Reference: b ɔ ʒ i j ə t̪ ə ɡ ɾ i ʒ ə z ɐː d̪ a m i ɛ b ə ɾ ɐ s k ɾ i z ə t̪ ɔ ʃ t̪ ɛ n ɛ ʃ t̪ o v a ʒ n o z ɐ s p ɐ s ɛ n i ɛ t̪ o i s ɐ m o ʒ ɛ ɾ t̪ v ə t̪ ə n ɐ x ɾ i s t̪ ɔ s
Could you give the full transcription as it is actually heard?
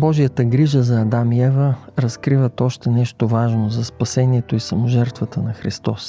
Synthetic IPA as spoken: b ɔ ʒ i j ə t̪ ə ɡ ɾ i ʒ ə z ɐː d̪ a m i ɛ v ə ɾ ɐ s k ɾ i v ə t̪ ɔ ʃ t̪ ɛ n ɛ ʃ t̪ o v a ʒ n o z ɐ s p ɐ s ɛ n i ɛ t̪ o i s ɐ m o ʒ ɛ ɾ t̪ v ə t̪ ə n ɐ x ɾ i s t̪ ɔ s